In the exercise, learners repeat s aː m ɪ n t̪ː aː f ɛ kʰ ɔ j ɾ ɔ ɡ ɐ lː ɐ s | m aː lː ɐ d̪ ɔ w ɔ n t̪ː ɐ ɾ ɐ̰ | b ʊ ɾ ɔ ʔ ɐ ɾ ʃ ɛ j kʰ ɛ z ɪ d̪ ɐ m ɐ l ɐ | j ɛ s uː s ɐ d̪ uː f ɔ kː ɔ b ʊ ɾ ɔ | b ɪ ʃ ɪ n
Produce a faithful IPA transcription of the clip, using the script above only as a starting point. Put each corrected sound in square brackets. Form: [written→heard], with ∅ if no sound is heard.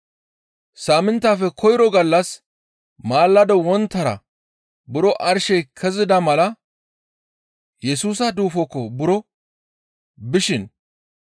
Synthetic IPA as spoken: s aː m ɪ n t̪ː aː f ɛ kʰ ɔ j ɾ ɔ ɡ ɐ lː ɐ s | m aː lː ɐ d̪ ɔ w ɔ n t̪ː ɐ ɾ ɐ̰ | b ʊ ɾ ɔ ʔ ɐ ɾ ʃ ɛ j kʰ ɛ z ɪ d̪ ɐ m ɐ l ɐ | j ɛ s uː s ɐ d̪ uː f ɔ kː ɔ b ʊ ɾ ɔ | b ɪ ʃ ɪ n

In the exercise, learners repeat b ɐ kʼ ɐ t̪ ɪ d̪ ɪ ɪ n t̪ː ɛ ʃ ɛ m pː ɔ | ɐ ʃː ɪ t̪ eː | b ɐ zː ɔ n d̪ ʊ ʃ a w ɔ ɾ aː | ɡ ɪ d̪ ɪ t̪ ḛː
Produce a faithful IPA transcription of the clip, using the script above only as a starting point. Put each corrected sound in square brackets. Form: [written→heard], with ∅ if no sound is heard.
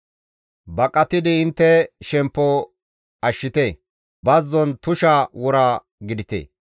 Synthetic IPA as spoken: b ɐ kʼ ɐ t̪ ɪ d̪ ɪ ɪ n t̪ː ɛ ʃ ɛ m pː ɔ | ɐ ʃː ɪ t̪ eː | b ɐ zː ɔ n [d̪→t̪] ʊ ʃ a w ɔ ɾ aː | ɡ ɪ d̪ ɪ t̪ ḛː

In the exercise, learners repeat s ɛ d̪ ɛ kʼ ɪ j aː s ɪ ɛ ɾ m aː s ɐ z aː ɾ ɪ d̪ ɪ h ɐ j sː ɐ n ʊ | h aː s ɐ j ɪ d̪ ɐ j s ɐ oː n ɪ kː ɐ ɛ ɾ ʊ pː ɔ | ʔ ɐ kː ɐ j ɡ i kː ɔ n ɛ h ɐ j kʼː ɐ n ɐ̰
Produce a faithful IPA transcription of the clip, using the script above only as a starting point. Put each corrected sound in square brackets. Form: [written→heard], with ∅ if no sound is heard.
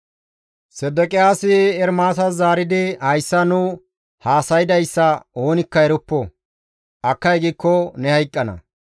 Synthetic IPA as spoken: s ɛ d̪ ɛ kʼ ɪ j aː s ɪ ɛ ɾ m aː s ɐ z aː ɾ ɪ d̪ ɪ h ɐ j sː ɐ n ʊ | h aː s ɐ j ɪ d̪ ɐ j [s→sː] ɐ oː n ɪ kː ɐ ɛ ɾ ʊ pː ɔ | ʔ ɐ kː ɐ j ɡ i kː ɔ n ɛ h ɐ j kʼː ɐ n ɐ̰

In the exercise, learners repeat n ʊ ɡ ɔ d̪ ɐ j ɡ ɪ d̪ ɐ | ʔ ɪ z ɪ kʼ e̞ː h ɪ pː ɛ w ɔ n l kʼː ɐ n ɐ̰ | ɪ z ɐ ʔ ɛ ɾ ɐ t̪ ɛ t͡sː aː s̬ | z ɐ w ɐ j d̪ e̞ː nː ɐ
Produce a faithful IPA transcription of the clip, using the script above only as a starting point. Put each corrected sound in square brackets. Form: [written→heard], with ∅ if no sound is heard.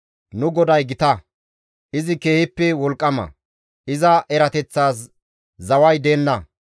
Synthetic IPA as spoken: n ʊ ɡ ɔ d̪ ɐ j ɡ ɪ [d̪→t̪] ɐ | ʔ ɪ z ɪ [kʼ→k] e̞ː h ɪ pː ɛ w ɔ [n→∅] l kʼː ɐ [n→m] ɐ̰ | ɪ z ɐ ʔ ɛ ɾ ɐ t̪ ɛ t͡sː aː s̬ | z ɐ w ɐ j d̪ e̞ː nː ɐ

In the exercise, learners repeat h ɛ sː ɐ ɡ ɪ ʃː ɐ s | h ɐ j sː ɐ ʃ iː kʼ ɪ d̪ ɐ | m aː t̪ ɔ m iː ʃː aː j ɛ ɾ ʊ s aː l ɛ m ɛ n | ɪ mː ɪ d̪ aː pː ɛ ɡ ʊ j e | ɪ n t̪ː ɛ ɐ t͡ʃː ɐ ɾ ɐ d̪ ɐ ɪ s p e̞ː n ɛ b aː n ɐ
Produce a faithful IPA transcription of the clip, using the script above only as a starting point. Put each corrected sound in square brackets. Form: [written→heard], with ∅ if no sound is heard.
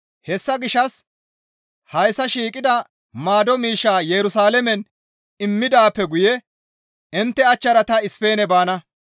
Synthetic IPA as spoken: h ɛ sː ɐ ɡ ɪ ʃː ɐ s | h ɐ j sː ɐ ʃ iː kʼ ɪ d̪ ɐ | m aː [t̪→d̪] ɔ m iː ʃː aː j ɛ ɾ ʊ s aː l ɛ m ɛ n | ɪ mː ɪ d̪ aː pː ɛ ɡ ʊ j [e→ɛ] | ɪ n t̪ː ɛ ɐ t͡ʃː ɐ ɾ ɐ [d̪→t̪] ɐ ɪ s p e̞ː n ɛ b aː n ɐ

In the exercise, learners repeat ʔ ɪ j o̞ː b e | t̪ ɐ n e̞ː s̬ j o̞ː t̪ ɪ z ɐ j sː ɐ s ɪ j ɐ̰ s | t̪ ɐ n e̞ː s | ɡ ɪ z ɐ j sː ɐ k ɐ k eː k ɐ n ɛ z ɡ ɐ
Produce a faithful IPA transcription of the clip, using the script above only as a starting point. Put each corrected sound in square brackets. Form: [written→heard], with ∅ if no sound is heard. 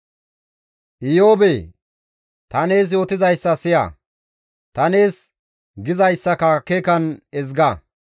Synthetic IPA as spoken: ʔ ɪ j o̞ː b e | t̪ ɐ n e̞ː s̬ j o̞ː t̪ ɪ z ɐ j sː ɐ s ɪ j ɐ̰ [s→∅] | t̪ ɐ n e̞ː s | ɡ ɪ z ɐ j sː ɐ k ɐ k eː k ɐ n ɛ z ɡ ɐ

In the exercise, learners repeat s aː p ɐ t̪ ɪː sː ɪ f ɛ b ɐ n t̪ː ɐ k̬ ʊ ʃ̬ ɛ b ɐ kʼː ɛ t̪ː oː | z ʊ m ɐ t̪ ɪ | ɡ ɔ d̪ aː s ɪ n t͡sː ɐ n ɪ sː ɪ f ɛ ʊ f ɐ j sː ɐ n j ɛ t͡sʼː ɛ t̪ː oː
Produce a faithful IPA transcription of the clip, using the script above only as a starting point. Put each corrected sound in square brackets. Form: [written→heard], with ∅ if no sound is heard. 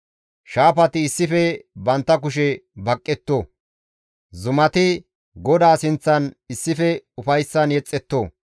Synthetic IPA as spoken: [s→ʃ] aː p ɐ t̪ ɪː sː ɪ f ɛ b ɐ n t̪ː ɐ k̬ ʊ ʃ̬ ɛ b ɐ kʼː ɛ t̪ː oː | z ʊ m ɐ t̪ ɪ | ɡ ɔ d̪ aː s ɪ n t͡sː ɐ n ɪ sː ɪ f ɛ ʊ f ɐ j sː ɐ n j ɛ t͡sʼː ɛ t̪ː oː

